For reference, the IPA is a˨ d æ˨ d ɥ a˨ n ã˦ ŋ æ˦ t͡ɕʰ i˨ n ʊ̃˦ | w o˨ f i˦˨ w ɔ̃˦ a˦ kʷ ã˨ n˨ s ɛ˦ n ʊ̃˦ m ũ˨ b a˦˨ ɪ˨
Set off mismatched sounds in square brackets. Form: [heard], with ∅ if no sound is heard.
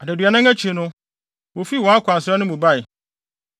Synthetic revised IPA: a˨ d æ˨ d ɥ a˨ n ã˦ ŋ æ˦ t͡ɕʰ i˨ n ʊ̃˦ | w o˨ f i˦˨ w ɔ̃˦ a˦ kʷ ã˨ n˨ s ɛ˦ n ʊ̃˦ m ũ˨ b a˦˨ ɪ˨

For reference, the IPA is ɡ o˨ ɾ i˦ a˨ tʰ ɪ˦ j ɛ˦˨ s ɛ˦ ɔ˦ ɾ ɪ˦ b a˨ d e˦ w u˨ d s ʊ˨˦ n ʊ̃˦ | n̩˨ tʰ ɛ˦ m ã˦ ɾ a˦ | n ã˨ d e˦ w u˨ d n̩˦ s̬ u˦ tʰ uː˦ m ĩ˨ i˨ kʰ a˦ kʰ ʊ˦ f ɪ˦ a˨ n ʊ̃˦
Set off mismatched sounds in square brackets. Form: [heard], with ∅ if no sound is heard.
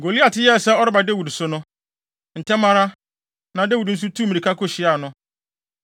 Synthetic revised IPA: ɡ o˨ [l] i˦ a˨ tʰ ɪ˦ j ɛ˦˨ s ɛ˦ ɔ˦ ɾ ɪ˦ b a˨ d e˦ w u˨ d s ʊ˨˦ n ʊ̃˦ | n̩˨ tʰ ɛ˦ m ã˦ ɾ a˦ | n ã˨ d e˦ w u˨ d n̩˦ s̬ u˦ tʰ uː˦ m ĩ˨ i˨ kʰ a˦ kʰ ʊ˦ [ɕ] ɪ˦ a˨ n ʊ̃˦

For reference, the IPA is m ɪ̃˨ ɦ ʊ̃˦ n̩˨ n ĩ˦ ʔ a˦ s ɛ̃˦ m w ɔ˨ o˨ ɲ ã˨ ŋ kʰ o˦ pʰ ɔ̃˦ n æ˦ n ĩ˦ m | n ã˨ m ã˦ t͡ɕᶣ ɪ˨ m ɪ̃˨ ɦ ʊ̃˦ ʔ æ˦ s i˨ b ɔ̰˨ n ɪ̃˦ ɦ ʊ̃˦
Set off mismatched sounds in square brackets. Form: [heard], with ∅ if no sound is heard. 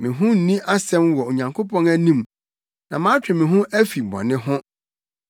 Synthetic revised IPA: m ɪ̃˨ ɦ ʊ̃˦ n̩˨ n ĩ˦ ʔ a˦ s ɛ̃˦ m w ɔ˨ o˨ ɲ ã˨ ŋ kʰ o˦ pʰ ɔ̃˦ n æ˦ n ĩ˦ m | n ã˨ m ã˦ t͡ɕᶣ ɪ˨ m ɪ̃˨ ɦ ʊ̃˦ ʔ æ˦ [f] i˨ b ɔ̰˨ n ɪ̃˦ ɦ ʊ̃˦

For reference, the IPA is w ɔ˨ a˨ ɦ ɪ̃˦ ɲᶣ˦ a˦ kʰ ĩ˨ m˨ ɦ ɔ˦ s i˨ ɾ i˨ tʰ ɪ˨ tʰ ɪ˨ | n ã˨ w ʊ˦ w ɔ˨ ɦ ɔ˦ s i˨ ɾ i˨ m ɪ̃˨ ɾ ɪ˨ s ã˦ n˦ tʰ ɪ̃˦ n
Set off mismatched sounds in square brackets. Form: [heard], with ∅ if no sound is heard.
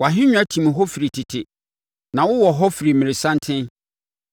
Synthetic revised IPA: w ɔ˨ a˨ ɦ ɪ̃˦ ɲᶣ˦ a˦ [tʰ] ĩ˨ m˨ ɦ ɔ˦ [f] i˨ ɾ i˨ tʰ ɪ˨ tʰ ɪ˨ | n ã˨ w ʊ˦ w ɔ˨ ɦ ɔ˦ [f] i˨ ɾ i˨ m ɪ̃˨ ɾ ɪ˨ s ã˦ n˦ tʰ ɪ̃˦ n

